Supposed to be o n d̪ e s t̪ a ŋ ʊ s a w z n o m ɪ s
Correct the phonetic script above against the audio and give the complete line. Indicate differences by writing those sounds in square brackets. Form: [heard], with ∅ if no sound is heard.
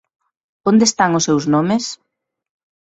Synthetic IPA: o n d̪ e s t̪ a ŋ ʊ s [e] w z n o m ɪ s